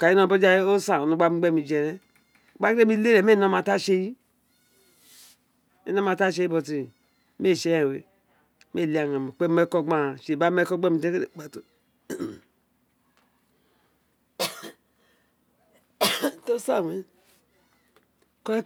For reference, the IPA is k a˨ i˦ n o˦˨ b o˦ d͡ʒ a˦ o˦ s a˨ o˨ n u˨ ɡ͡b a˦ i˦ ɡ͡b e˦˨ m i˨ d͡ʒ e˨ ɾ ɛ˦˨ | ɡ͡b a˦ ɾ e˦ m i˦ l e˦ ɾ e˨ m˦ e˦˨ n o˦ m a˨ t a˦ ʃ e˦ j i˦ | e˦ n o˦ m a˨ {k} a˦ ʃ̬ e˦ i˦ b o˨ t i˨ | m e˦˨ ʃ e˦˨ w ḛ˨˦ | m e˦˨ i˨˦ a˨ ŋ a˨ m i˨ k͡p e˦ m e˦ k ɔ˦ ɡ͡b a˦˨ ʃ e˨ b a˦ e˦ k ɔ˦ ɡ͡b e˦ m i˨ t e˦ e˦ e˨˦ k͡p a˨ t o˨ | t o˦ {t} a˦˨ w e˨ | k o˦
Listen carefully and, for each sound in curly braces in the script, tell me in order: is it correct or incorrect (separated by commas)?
incorrect, incorrect